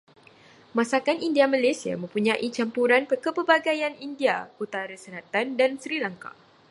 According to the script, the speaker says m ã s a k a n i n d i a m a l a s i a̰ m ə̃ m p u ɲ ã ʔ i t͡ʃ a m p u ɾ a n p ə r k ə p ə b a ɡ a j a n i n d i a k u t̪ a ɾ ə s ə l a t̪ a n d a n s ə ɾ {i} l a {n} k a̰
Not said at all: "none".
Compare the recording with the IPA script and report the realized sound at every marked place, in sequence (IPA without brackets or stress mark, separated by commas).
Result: i, ŋ